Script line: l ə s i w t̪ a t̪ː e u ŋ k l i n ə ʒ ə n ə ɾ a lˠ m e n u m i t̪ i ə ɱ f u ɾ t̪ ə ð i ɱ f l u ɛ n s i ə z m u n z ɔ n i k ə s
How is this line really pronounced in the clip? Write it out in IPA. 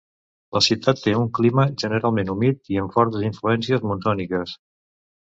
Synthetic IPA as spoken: l ə s i w t̪ a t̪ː e u ŋ k l i m ə ʒ ə n ə ɾ a lˠ m e n u m i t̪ i ə ɱ f ɔ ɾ t̪ ə z i ɱ f l u ɛ n s i ə z m u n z ɔ n i k ə s